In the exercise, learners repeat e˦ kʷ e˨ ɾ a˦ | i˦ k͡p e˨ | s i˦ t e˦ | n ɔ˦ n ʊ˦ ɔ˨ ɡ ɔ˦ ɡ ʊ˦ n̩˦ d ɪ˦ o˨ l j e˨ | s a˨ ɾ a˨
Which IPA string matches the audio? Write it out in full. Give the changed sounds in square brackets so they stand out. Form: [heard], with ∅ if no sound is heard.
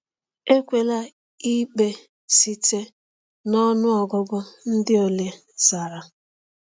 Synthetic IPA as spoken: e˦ kʷ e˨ [l] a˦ | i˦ k͡p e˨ | s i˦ t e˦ | n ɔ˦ n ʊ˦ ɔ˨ ɡ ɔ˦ ɡ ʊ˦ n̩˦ d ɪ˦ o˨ l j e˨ | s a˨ ɾ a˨